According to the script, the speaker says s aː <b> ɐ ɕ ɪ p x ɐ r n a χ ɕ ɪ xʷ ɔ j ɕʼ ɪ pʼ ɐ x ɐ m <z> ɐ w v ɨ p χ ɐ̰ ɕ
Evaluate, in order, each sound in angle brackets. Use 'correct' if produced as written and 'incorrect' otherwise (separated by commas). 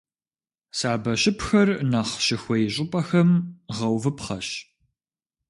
correct, incorrect